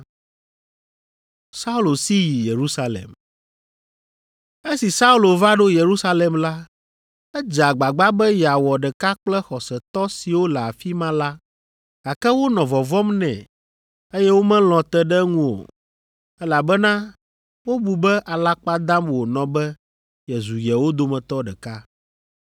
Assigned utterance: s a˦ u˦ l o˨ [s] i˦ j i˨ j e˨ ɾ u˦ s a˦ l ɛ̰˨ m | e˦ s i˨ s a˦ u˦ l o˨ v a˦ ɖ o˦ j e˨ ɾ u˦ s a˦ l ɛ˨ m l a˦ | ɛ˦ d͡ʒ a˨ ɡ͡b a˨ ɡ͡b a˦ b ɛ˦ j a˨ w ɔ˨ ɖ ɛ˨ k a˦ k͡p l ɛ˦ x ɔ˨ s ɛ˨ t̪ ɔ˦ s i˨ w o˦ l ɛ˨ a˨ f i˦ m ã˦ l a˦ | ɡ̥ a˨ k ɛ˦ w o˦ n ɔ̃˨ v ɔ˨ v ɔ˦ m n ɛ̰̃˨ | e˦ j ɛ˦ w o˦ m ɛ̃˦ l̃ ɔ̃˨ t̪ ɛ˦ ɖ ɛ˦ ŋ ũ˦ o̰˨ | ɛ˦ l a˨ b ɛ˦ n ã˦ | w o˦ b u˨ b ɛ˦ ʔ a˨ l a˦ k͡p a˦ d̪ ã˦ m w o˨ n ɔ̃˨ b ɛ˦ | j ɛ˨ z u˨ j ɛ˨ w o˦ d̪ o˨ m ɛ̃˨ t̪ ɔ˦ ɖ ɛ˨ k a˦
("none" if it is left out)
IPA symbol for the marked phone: s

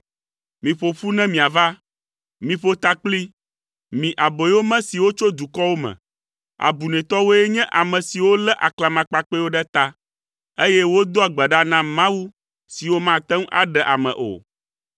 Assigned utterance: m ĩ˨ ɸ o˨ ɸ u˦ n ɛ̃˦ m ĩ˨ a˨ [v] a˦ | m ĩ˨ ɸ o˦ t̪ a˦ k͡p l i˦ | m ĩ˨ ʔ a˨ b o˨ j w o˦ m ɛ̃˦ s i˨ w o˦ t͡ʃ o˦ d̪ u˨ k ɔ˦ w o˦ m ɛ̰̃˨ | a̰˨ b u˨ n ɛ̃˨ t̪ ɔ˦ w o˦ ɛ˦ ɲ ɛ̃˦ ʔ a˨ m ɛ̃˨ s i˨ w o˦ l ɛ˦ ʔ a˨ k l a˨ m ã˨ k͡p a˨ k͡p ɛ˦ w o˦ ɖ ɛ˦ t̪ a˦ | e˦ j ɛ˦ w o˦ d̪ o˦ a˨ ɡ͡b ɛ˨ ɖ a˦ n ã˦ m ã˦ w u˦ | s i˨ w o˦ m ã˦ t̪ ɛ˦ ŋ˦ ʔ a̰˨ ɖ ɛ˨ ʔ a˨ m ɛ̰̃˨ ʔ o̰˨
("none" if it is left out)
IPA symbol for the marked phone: v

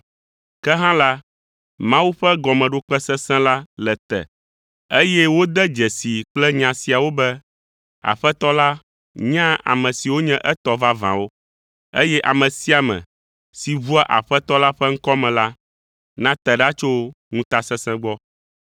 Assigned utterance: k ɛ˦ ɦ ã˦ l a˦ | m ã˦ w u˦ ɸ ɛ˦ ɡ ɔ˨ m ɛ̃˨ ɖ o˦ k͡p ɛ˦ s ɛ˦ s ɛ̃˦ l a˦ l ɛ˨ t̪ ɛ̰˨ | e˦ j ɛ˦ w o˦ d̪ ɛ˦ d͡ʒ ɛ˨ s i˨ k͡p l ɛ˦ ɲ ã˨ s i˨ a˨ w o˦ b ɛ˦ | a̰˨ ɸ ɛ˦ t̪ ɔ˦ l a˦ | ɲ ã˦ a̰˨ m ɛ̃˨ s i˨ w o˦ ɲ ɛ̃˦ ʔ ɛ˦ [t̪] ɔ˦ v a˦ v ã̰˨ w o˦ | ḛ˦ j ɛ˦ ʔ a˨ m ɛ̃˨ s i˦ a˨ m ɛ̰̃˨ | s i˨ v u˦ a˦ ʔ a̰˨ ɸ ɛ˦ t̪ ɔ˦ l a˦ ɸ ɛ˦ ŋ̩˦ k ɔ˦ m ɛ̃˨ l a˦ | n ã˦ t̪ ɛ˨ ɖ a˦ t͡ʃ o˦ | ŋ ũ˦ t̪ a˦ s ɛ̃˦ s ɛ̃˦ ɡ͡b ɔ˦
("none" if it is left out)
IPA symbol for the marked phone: t̪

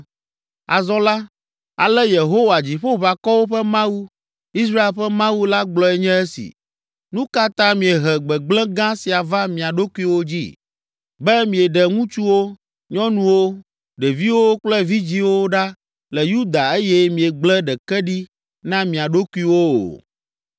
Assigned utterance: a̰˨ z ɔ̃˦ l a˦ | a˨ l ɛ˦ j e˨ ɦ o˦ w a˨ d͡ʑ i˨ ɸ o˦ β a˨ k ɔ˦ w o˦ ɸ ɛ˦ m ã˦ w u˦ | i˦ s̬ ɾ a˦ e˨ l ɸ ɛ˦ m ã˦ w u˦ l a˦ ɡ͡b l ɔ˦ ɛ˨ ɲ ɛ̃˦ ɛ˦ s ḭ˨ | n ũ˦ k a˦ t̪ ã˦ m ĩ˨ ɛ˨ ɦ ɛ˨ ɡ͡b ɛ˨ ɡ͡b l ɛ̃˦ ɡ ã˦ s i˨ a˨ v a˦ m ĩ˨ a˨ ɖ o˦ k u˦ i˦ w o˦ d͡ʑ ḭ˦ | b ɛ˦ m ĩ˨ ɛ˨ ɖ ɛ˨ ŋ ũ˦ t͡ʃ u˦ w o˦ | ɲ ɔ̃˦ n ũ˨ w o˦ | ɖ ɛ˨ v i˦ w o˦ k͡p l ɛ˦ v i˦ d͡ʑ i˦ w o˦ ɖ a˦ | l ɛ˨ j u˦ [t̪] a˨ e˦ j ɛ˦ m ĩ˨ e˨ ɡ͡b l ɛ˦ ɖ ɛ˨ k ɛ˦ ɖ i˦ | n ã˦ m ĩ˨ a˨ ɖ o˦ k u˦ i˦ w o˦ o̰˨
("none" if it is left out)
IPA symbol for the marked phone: d̪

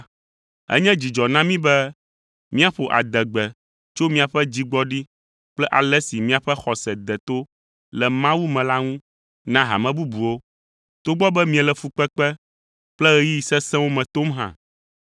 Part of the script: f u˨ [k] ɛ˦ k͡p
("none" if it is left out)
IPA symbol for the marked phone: k͡p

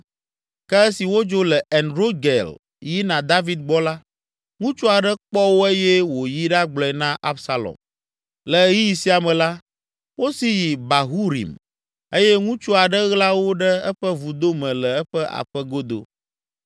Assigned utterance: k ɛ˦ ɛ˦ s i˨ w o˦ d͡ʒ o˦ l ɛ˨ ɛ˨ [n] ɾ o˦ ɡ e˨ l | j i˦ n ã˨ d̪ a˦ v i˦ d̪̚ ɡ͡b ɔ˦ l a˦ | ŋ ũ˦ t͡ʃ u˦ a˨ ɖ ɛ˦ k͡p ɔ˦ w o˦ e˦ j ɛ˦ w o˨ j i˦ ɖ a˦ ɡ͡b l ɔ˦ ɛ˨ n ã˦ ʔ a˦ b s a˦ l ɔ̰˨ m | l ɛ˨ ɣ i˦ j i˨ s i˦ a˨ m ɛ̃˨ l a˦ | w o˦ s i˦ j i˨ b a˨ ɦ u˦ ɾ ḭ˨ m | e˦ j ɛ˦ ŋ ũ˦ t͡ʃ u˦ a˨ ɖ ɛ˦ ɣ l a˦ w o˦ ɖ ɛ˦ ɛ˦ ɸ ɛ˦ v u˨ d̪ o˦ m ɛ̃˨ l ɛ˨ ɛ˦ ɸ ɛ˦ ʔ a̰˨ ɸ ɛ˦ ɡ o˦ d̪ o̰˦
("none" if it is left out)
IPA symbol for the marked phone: n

